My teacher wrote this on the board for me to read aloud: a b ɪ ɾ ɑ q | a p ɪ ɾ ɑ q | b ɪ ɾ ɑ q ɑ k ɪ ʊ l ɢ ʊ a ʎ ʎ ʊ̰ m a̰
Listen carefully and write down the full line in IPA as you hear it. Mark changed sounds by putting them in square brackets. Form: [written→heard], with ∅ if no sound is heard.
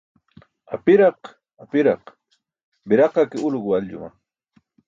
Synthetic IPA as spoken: a [b→p] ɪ ɾ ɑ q | a p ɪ ɾ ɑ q | b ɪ ɾ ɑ q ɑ k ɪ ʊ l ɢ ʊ a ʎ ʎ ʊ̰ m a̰

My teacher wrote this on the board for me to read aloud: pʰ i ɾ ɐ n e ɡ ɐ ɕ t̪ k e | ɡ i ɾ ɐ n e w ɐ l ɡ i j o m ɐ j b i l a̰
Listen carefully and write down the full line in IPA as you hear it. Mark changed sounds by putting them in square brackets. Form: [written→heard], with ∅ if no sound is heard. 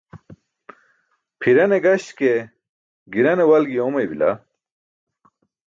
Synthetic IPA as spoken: pʰ i ɾ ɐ n e ɡ ɐ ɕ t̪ k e | ɡ i ɾ ɐ n e w ɐ l ɡ i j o m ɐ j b i l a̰

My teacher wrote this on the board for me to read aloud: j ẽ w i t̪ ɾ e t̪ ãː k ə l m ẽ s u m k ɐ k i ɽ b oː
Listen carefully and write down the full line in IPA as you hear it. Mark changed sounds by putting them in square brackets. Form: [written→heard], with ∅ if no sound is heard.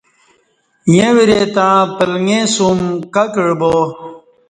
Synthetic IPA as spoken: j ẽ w i [t̪→∅] ɾ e t̪ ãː [k→p] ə l [m→ŋ] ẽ s u m k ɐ k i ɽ b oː

